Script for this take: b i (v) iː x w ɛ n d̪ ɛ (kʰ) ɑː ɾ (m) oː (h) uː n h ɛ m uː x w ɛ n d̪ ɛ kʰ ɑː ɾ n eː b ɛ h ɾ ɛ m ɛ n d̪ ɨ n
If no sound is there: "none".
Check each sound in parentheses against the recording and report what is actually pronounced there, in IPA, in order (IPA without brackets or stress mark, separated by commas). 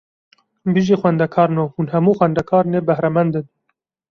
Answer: ʒ, kʰ, n, h